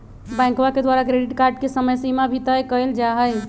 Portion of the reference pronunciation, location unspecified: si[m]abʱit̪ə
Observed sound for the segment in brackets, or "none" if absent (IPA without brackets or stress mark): m